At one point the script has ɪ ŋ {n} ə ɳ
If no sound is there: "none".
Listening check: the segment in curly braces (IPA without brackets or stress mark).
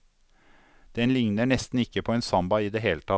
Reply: n